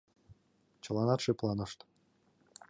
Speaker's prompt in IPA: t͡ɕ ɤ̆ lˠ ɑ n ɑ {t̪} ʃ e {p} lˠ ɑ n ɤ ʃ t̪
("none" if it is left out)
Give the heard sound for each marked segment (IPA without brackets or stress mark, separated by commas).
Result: t̪, p